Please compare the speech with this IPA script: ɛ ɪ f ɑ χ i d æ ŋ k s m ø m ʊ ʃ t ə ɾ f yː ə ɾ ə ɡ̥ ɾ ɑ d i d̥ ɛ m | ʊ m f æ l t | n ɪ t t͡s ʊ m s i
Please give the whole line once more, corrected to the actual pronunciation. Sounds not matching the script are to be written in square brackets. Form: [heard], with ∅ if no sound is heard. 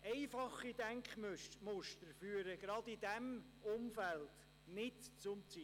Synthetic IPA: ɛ ɪ f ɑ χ i d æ ŋ k [χ] m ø m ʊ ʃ t ə ɾ f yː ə ɾ ə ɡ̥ ɾ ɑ d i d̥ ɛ m | ʊ m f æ l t | n ɪ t t͡s ʊ m [t͡s] i